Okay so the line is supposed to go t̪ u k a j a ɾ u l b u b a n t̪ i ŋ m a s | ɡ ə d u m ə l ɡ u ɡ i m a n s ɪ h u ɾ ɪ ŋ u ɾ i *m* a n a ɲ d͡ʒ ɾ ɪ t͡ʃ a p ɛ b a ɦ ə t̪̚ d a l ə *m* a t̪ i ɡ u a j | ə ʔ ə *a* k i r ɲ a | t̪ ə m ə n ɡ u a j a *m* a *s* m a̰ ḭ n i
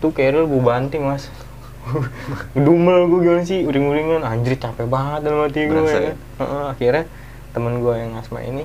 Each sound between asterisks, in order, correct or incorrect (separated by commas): incorrect, correct, correct, incorrect, correct